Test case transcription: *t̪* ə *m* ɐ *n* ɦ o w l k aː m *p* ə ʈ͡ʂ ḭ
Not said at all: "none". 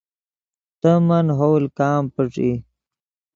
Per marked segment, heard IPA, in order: t̪, m, n, p

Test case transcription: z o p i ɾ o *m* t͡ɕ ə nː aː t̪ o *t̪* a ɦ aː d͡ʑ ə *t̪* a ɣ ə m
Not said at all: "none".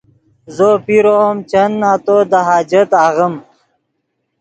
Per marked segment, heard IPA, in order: m, d̪, t̪

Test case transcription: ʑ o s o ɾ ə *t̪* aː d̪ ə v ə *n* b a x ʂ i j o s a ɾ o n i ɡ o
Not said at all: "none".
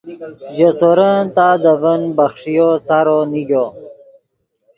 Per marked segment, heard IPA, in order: t̪, n

